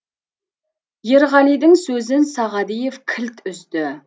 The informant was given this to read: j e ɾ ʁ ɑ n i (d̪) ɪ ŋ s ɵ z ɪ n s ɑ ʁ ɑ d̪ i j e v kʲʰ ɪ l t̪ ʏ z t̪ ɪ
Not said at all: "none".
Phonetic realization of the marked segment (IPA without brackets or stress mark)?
d̪